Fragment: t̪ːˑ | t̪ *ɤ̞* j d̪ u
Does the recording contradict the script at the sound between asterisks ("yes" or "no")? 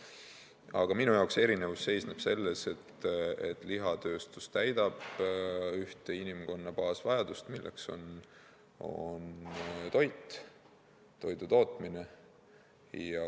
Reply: yes